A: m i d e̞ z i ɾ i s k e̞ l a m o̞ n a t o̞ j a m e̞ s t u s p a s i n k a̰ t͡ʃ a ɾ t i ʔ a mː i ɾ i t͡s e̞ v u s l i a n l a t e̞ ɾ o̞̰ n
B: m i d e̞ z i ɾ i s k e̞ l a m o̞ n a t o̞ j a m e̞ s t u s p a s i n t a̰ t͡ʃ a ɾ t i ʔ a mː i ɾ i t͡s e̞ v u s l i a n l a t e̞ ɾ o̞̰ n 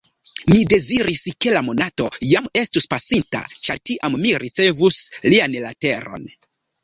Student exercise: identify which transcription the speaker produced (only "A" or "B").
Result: B